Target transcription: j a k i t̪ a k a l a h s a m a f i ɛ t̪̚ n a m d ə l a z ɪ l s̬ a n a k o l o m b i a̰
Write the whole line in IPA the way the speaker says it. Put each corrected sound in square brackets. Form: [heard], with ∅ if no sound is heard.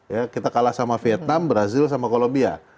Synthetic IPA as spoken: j a k i t̪ a k a l a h s a m a f i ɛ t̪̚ n a m [b] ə [ɾ] a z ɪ l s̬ a [m] a k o l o m b i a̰